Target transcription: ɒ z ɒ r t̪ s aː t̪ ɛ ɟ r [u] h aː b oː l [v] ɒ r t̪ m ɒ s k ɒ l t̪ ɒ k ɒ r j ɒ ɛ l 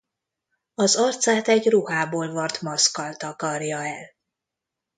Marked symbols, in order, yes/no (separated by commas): yes, yes